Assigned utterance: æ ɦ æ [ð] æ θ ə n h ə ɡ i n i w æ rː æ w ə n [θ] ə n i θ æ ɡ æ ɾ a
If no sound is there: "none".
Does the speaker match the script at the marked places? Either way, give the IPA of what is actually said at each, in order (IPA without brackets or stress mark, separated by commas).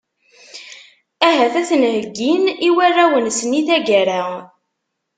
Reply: θ, s